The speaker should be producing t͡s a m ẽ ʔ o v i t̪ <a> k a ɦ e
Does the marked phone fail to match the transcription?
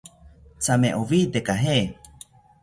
yes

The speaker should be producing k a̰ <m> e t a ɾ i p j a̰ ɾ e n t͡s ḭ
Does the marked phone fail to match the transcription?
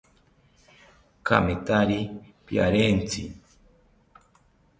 no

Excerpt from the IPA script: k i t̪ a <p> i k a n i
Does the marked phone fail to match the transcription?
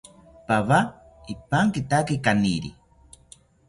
yes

